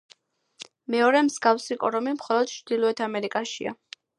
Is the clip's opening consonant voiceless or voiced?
voiced